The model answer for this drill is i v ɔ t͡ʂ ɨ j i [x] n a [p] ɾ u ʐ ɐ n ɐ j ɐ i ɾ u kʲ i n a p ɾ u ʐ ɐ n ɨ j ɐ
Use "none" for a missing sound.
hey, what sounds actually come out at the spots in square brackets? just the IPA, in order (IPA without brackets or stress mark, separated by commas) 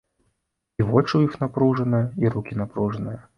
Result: x, p